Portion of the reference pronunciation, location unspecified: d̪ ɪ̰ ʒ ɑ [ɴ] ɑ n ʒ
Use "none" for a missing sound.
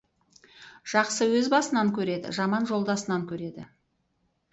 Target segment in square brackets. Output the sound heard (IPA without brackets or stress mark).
m